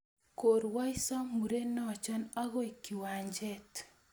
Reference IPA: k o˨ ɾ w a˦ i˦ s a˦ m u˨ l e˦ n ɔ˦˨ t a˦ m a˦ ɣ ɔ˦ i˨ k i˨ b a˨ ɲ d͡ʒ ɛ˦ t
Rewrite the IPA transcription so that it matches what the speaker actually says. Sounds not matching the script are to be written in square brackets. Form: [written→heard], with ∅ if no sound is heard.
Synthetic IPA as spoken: k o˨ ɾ w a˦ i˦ s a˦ m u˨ [l→ɾ] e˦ n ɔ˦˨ [t→t͡ʃ] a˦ [m→n] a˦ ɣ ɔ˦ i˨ k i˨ [b→w] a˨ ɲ d͡ʒ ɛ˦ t